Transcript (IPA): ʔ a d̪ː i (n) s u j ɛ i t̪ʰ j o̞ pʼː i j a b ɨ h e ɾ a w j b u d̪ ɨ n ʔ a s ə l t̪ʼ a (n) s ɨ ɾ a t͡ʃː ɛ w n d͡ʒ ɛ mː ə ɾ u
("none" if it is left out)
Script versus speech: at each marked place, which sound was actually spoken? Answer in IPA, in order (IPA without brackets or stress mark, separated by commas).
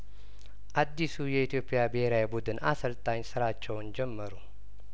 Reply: none, ɲ